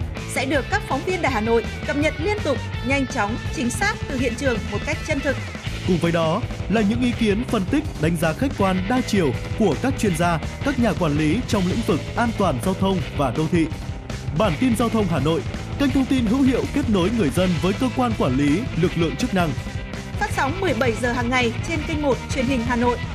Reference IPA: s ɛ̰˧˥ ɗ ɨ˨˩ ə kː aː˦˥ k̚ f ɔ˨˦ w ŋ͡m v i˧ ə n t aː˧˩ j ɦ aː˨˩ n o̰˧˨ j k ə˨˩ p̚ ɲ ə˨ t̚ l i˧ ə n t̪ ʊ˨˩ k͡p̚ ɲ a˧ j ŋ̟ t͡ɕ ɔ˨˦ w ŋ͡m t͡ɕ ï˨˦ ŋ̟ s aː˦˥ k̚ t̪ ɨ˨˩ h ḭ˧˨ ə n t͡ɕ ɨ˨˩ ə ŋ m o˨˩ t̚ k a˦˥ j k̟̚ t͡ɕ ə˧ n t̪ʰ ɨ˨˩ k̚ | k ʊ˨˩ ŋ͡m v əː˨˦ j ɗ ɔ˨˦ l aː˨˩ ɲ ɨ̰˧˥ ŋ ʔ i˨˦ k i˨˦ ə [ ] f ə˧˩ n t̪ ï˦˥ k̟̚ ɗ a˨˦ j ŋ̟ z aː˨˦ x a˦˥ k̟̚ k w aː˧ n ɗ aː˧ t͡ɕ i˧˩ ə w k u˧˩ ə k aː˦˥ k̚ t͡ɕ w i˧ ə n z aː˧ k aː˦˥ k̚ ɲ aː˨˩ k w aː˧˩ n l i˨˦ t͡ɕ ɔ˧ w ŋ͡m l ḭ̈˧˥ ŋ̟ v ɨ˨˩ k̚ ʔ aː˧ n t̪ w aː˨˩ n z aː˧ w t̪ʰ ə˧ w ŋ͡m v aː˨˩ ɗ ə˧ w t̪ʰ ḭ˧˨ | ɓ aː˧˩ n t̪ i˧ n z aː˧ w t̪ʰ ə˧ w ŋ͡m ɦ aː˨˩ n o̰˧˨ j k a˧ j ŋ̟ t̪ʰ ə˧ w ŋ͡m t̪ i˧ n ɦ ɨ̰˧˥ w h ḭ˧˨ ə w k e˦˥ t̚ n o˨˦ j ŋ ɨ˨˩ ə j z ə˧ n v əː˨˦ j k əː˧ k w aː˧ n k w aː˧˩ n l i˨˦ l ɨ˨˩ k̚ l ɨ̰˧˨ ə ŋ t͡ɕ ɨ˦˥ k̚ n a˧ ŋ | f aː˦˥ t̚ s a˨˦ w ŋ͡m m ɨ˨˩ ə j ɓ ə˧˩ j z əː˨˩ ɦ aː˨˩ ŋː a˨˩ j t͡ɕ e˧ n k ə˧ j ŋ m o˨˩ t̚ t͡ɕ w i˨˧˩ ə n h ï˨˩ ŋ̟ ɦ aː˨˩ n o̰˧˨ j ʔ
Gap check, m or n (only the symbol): n